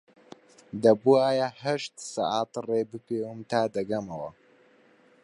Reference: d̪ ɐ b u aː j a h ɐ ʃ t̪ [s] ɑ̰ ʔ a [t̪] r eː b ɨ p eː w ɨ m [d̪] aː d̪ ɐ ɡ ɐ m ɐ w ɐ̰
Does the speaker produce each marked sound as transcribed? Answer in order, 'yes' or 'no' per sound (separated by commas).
yes, yes, no